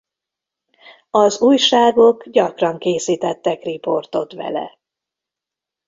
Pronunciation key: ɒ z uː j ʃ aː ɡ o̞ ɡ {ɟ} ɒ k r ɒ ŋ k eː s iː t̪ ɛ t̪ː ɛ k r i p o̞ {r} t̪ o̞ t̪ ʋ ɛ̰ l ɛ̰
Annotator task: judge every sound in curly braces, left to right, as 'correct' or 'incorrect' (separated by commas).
correct, correct